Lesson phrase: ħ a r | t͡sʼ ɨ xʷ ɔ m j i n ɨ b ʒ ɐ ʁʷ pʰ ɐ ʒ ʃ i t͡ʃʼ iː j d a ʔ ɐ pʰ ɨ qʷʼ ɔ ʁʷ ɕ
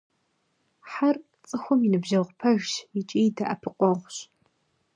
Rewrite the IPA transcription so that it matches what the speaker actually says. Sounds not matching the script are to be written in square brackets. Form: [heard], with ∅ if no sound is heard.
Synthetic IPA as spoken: ħ a r | t͡sʼ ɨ xʷ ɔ m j i n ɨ b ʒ ɐ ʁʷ pʰ ɐ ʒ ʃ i t͡ʃʼ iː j d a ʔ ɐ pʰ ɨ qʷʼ ɔ ʁʷ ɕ